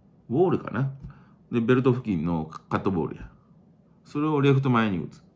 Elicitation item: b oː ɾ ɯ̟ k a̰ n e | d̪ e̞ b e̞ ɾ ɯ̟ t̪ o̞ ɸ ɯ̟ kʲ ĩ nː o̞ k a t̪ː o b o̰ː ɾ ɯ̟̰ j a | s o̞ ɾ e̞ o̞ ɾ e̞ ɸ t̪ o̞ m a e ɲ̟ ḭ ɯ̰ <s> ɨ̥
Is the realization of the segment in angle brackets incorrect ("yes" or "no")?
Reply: yes